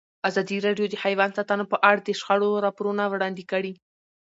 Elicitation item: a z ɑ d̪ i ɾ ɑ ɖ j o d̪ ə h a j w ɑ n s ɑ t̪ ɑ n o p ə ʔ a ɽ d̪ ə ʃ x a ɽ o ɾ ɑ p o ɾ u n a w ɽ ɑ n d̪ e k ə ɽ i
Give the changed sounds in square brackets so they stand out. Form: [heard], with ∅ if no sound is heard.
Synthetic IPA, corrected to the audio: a z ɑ d̪ i ɾ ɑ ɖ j o d̪ ə h a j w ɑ n s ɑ t̪ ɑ n o p ə ʔ a ɽ d̪ ə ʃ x a ɽ o ɾ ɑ p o ɾ u n a w ɽ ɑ n d̪ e k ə ɽ i